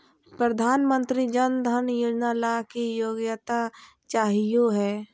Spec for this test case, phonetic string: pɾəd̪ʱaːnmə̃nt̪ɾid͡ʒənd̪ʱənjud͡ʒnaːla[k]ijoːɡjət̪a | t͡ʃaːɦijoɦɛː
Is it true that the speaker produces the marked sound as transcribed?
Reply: yes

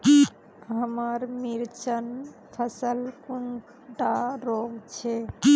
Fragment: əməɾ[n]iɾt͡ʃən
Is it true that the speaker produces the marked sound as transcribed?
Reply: no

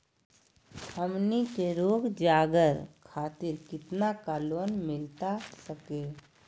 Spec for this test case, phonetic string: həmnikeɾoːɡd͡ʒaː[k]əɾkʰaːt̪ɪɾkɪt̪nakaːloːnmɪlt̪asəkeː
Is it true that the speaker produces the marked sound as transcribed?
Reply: no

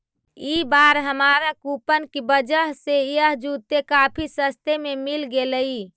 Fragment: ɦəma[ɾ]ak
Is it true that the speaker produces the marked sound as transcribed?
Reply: yes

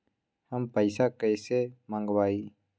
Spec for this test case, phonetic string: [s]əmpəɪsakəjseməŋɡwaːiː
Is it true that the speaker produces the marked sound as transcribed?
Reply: no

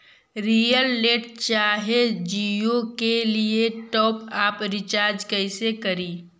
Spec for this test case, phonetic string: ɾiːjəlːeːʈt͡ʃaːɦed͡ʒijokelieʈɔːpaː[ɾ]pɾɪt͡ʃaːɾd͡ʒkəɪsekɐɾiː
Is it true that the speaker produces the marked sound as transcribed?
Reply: no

